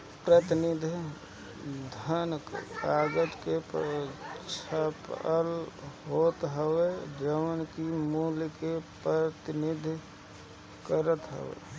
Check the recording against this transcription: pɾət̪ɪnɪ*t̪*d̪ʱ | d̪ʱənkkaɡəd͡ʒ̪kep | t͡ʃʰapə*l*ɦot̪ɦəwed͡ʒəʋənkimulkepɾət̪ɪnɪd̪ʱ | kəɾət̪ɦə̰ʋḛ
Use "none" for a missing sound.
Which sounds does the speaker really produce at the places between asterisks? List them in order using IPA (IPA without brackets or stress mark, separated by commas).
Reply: none, l